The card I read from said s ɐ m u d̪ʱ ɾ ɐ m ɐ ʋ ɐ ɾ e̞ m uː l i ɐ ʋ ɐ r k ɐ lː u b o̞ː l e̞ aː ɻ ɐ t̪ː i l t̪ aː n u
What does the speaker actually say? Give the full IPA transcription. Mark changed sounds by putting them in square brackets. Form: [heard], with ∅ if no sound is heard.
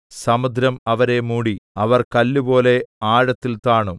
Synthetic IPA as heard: s ɐ m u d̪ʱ ɾ ɐ m ɐ ʋ ɐ ɾ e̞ m uː [ɽ] i ɐ ʋ ɐ r k ɐ lː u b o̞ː l e̞ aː ɻ ɐ t̪ː i l t̪ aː [ɳ] u